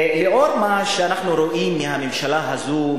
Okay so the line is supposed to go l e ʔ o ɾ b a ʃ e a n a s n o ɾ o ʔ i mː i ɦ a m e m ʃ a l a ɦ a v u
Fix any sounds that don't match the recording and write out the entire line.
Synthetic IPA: l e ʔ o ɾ m a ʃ e a n a χ n u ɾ o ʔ i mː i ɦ a m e m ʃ a l a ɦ a z u